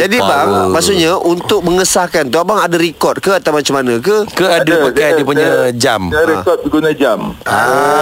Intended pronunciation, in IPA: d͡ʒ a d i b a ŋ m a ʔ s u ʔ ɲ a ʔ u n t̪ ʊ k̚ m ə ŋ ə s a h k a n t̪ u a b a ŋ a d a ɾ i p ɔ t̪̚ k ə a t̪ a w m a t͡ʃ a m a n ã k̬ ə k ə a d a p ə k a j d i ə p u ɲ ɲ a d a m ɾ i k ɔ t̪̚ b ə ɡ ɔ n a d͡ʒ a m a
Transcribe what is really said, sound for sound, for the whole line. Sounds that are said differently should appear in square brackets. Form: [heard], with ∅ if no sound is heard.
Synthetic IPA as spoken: d͡ʒ a d i b a ŋ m a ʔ s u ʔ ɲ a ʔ u n t̪ ʊ k̚ m ə ŋ ə s a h k a n t̪ u a b a ŋ a d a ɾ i [k] ɔ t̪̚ k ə a t̪ a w m a t͡ʃ a m a n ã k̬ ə k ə a d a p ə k a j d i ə p u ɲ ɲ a [d͡ʒ] a m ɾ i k ɔ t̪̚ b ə ɡ [u] n a d͡ʒ a m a